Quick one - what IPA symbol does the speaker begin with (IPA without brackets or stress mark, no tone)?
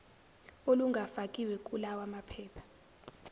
o